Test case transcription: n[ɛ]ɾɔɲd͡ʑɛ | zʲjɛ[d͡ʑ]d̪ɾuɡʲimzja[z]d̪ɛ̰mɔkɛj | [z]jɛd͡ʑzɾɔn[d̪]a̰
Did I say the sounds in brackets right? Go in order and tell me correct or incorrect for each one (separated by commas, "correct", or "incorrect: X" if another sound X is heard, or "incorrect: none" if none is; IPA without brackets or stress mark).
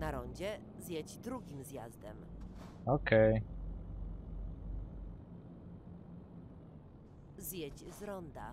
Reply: incorrect: a, correct, correct, correct, correct